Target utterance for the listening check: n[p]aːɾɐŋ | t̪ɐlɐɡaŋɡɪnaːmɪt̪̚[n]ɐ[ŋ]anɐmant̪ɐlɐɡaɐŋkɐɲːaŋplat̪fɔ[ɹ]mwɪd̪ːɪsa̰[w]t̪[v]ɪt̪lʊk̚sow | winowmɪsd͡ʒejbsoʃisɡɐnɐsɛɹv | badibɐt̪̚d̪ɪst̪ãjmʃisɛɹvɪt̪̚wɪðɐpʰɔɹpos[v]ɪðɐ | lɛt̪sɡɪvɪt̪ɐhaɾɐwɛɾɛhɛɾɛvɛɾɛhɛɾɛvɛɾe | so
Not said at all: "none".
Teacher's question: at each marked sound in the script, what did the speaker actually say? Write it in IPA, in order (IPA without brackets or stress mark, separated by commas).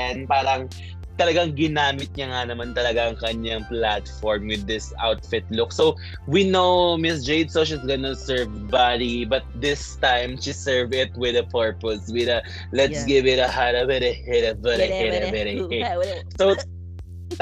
p, ɲ, ŋ, ɹ, w, f, w